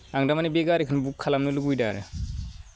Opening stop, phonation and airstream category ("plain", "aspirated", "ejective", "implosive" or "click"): plain